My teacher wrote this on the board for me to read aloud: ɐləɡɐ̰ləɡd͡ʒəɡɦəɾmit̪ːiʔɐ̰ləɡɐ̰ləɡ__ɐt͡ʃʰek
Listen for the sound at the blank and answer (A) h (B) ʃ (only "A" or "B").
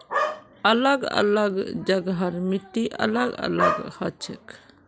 A